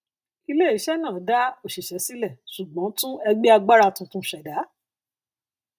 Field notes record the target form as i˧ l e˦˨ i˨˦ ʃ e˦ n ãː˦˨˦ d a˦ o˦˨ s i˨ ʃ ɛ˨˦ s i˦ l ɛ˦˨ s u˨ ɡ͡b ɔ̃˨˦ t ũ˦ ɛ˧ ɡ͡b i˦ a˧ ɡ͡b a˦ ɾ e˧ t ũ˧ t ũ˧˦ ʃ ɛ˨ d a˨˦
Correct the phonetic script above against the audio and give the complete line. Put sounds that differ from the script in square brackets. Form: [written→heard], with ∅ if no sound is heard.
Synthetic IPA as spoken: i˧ l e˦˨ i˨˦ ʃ [e˦→ɛ˦] n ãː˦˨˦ d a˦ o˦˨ [s→ʃ] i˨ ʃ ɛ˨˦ s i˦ l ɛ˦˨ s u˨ ɡ͡b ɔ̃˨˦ t ũ˦ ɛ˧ ɡ͡b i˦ a˧ ɡ͡b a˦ ɾ [e˧→a˧] t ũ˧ t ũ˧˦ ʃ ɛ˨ d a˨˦